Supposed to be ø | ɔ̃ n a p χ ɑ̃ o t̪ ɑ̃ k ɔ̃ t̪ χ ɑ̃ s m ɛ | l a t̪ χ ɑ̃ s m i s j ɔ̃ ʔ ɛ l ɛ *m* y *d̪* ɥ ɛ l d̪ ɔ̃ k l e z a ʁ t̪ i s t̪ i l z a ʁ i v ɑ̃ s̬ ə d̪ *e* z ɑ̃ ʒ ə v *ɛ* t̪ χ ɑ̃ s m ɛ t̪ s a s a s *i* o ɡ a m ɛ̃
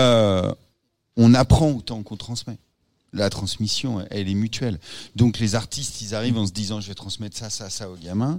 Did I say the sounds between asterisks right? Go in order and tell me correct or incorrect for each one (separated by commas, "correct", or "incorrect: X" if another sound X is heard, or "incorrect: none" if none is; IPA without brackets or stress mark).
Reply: correct, incorrect: t̪, incorrect: i, correct, incorrect: a